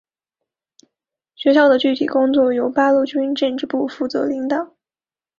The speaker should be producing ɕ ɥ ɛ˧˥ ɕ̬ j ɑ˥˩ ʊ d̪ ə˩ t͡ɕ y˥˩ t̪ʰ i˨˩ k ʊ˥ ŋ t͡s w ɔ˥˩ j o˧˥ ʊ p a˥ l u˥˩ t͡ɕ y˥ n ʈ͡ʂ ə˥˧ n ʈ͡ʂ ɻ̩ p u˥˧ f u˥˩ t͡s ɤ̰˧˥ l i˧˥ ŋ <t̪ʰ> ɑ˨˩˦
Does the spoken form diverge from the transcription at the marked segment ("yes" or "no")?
yes